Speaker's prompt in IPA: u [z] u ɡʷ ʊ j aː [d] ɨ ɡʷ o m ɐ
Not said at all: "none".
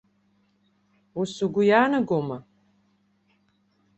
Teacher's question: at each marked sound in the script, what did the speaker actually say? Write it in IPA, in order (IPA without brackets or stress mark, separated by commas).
s, n